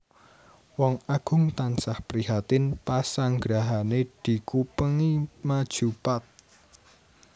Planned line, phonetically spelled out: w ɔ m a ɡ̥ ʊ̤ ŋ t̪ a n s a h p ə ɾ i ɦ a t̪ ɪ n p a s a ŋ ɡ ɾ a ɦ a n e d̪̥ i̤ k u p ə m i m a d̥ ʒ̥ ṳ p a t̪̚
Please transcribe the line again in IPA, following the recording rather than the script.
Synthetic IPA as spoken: w ɔ ŋ a ɡ̥ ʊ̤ ŋ t̪ a n s a h p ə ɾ i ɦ a t̪ ɪ n p a s a ŋ ɡ ɾ a ɦ a n e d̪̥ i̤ k u p ə ŋ i m a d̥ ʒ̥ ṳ p a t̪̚

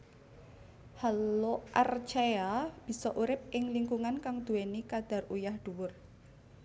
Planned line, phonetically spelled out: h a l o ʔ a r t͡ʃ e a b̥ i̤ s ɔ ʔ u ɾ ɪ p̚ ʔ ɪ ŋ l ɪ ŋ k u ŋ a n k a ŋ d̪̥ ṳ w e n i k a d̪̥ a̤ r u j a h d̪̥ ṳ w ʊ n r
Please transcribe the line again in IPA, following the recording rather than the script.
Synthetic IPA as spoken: h a l o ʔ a r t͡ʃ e a b̥ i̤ s ɔ ʔ u ɾ ɪ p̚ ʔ ɪ ŋ l i ŋ k u ŋ a n k a ŋ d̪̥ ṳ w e n i k a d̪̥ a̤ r u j a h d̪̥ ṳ w ʊ r

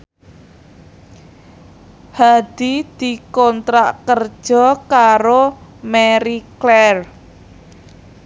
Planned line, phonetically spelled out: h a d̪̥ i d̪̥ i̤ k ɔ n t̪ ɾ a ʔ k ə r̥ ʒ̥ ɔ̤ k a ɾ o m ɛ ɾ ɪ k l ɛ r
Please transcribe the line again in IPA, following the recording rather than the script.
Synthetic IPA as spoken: h a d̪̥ i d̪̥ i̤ k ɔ n t̪ ɾ a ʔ k ə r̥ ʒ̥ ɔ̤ k a ɾ o m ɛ ɾ i k l ɛ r

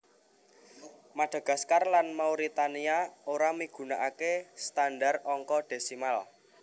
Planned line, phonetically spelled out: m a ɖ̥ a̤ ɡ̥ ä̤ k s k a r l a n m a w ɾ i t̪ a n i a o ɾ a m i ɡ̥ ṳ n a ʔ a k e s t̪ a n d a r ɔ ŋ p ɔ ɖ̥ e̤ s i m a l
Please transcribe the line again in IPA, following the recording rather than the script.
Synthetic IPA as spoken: m a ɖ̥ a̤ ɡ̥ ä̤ s k a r l a n m a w ɾ i t̪ a n i a o ɾ a m i ɡ̥ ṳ n a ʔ a k e s t̪ a n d a r ɔ ŋ k ɔ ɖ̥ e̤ s i m a l

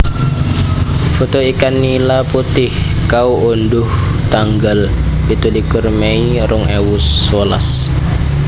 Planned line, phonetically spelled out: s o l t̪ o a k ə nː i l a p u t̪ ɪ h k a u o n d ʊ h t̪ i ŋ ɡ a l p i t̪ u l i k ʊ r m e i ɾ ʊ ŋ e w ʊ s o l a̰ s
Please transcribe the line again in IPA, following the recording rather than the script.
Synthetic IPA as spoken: f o t̪ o i k a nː i l a p u t̪ ɪ h k a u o n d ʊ h t̪ a ŋ ɡ a l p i t̪ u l i k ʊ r m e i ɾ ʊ ŋ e w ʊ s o l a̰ s

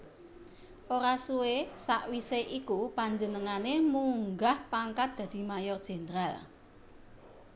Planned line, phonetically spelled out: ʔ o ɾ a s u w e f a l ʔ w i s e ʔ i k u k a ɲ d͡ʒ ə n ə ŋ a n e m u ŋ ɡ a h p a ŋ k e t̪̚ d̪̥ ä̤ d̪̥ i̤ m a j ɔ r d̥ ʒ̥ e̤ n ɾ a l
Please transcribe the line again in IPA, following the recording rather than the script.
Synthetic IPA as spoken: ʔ o ɾ a s u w e s a ʔ w i s e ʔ i k u p a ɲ d͡ʒ ə n ə ŋ a n e m u ŋ ɡ a h p a ŋ k a t̪̚ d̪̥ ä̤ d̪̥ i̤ m a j ɔ r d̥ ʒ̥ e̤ n ɾ a l

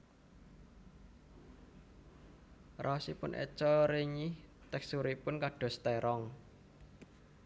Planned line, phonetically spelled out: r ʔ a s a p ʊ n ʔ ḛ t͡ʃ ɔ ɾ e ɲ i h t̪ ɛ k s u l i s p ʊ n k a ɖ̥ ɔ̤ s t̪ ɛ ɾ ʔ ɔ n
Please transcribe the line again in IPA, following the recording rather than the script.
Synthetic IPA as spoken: r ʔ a s i p ʊ n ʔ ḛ t͡ʃ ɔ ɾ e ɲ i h t̪ ɛ k s u ɾ i p ʊ n k a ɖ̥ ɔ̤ s t̪ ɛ ɾ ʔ ɔ ŋ

